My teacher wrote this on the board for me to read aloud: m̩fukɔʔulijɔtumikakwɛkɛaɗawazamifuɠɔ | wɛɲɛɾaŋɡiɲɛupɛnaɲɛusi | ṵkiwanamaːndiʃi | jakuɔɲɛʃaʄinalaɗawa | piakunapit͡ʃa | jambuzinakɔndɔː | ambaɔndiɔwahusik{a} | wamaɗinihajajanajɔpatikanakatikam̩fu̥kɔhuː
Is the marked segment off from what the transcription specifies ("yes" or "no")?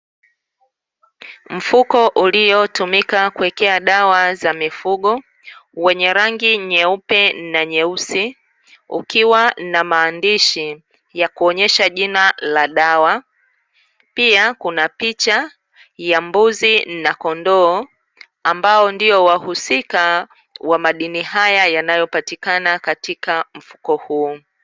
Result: no